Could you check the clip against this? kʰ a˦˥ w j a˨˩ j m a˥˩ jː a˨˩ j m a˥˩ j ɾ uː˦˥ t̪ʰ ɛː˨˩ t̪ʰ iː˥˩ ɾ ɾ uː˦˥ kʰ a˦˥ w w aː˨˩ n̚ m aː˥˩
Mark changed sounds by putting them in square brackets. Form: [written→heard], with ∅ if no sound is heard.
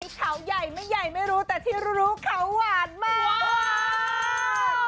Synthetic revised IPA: kʰ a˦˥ w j a˨˩ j m a˥˩ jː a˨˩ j m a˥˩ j ɾ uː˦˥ [t̪ʰ→t̪] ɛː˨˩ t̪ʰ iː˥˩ ɾ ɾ uː˦˥ kʰ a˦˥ w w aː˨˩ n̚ m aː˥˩